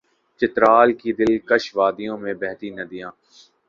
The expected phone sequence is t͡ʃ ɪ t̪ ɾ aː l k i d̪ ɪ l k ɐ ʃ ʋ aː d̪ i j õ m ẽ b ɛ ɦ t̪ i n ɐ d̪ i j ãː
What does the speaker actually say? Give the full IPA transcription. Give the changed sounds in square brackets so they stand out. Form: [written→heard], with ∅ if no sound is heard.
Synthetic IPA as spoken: t͡ʃ ɪ t̪ ɾ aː l k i d̪ ɪ l k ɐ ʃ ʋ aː d̪ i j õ m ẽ b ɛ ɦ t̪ i n ɐ d̪ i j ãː